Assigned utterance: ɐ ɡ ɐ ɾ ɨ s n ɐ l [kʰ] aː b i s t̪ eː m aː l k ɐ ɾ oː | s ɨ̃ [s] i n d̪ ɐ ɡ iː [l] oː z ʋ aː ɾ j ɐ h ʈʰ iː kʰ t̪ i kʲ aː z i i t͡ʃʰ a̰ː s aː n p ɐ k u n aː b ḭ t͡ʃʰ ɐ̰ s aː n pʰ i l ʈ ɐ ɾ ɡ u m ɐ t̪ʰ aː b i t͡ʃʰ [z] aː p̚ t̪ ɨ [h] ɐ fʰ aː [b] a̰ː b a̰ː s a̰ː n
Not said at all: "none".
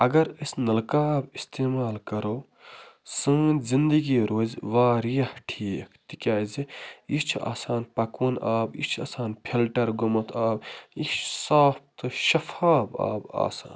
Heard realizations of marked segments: k, z, ɾ, s, ʃ, b

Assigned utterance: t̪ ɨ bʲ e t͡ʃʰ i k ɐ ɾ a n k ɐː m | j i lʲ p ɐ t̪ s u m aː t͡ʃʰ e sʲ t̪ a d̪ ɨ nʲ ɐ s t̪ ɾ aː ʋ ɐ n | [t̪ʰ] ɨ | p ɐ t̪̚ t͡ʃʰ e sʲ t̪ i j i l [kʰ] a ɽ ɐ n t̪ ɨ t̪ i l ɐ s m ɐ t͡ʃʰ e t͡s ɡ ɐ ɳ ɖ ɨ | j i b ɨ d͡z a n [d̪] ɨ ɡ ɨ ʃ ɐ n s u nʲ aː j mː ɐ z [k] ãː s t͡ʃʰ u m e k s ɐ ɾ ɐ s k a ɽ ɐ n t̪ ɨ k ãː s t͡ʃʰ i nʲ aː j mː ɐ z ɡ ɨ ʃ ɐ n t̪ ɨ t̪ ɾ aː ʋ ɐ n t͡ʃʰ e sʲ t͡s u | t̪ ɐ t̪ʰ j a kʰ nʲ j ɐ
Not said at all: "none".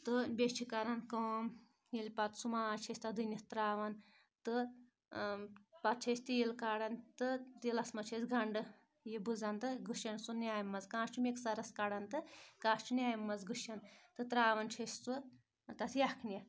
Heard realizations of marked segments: t̪, k, t̪, k

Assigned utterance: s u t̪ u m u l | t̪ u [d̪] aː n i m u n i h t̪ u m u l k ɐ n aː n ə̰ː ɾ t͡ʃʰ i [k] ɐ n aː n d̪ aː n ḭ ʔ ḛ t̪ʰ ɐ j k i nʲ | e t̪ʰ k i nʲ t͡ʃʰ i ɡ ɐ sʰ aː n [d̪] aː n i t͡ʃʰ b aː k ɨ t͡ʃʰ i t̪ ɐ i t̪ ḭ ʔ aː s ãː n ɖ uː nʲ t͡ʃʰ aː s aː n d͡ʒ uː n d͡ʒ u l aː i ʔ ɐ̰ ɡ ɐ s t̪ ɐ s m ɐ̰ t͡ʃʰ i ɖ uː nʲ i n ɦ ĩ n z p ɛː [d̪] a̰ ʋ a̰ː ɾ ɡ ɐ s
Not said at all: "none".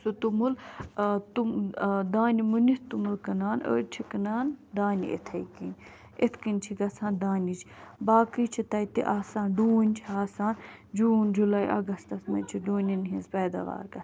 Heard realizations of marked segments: d̪, k, d̪, d̪

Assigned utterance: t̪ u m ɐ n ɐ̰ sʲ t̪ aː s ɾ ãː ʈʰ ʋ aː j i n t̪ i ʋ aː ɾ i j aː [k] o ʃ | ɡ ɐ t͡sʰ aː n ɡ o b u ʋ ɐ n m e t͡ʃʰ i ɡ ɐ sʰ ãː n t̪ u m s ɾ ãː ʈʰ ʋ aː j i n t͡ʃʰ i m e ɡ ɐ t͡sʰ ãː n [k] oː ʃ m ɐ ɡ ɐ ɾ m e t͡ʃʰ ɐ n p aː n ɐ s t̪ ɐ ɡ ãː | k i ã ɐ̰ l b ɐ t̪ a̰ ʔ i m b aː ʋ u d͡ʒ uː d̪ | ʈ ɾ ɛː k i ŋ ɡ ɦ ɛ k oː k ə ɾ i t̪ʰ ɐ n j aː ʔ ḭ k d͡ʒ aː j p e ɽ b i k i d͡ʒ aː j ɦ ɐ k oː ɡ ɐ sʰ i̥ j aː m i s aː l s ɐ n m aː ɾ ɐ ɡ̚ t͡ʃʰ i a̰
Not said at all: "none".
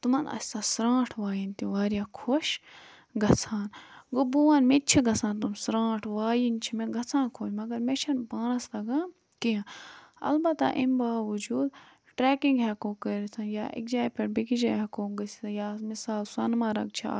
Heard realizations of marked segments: kʰ, kʰ

